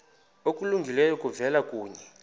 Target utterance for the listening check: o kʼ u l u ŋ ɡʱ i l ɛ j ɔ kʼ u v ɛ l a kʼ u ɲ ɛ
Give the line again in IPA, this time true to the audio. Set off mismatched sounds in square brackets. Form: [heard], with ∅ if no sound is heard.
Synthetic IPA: o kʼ u l u ŋ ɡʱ i l ɛ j ɔ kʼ u v ɛ l a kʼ [uː] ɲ ɛ